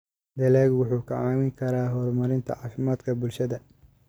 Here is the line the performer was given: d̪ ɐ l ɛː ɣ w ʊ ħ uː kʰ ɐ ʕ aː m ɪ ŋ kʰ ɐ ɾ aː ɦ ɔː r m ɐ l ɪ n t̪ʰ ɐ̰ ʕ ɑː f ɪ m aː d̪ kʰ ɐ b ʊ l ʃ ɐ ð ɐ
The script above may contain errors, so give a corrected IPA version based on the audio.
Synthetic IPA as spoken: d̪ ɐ l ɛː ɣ w ʊ ħ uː kʰ ɐ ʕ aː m ɪ ŋ kʰ ɐ ɾ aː ɦ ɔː r m ɐ ɾ ɪ n t̪ʰ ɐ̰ ʕ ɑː f ɪ m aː d̪ kʰ ɐ b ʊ l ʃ ɐ ð ɐ